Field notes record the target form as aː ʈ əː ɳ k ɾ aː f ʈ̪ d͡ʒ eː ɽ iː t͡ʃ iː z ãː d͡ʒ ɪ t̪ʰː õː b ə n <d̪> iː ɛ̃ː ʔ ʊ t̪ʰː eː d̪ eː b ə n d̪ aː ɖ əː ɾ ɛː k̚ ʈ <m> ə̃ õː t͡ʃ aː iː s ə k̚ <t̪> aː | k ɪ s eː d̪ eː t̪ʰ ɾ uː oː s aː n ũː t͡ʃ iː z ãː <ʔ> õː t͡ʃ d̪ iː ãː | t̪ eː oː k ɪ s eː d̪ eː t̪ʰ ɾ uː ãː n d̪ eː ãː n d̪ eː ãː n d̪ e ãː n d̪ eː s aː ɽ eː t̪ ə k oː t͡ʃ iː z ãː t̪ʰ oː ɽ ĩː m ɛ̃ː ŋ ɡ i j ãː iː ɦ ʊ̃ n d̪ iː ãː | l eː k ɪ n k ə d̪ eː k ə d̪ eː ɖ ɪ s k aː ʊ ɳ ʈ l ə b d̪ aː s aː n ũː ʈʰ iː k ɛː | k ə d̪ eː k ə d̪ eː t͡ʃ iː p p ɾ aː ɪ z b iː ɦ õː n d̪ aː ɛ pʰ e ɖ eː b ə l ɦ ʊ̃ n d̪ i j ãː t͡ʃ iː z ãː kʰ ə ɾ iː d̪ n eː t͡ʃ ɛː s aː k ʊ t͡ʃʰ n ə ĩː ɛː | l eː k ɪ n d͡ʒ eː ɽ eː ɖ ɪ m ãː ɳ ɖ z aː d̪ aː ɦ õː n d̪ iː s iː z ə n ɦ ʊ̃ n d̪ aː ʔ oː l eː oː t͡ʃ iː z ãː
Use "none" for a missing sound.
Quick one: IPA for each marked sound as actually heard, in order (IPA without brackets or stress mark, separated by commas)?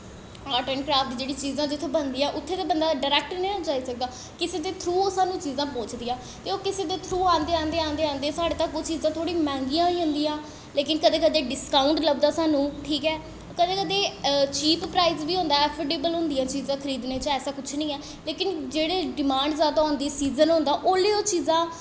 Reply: d̪, n, d̪, p